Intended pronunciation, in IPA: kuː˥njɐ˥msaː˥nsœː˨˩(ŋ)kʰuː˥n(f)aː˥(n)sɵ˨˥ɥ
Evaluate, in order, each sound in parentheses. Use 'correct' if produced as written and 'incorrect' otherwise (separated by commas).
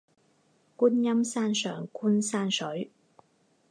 correct, incorrect, correct